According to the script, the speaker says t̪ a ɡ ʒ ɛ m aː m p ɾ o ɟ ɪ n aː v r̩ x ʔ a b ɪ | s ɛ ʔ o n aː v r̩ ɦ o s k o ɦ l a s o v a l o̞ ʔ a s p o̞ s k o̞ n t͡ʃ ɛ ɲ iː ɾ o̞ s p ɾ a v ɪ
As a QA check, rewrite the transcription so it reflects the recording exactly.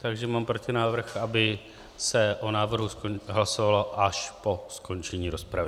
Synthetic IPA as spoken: t̪ a ɡ ʒ ɛ m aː m p ɾ o c ɪ n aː v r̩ x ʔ a b ɪ | s ɛ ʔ o n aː v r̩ ɦ u s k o ɦ l a s o v a l o̞ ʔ a ʃ p o̞ s k o̞ n t͡ʃ ɛ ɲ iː ɾ o̞ s p ɾ a v ɪ